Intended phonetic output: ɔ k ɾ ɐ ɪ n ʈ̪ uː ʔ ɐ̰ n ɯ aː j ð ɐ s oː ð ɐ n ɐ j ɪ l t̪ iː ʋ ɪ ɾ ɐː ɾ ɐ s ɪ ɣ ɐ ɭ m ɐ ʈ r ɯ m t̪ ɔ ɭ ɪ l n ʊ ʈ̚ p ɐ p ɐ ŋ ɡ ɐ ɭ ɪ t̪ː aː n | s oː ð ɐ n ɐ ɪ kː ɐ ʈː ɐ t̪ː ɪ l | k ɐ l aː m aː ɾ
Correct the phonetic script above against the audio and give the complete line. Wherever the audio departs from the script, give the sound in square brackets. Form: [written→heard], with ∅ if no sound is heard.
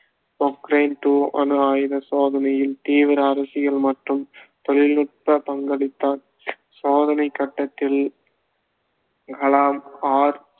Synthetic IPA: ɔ k ɾ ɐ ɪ n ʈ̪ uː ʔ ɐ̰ n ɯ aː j ð ɐ s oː ð ɐ n ɐ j ɪ l t̪ iː ʋ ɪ ɾ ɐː ɾ ɐ s ɪ ɣ ɐ ɭ m ɐ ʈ r ɯ m t̪ ɔ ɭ ɪ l n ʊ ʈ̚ p ɐ p ɐ ŋ ɡ ɐ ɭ ɪ t̪ː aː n | s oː ð ɐ n ɐ ɪ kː ɐ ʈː ɐ t̪ː ɪ l | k ɐ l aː m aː ɾ